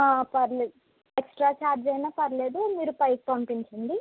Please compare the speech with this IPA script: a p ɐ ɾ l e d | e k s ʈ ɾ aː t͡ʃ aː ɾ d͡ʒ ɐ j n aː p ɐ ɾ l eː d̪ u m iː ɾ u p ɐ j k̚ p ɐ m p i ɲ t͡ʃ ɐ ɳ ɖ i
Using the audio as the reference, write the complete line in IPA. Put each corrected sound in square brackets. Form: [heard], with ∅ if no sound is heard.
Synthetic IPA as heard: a p ɐ ɾ l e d | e k s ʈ ɾ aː t͡ʃ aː ɾ d͡ʒ ɐ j n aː p ɐ ɾ l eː d̪ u m iː ɾ u p ɐ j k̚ p ɐ m p i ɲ t͡ʃ ɐ ɳ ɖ i